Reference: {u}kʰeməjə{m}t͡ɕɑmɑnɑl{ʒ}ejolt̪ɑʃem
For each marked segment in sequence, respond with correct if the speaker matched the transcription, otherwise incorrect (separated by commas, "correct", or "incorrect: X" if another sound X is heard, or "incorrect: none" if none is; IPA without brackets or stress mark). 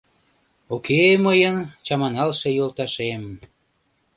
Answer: incorrect: o, incorrect: n, incorrect: ʃ